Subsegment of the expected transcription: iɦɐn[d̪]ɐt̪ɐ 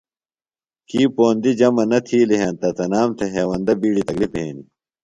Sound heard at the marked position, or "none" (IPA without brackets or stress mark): t̪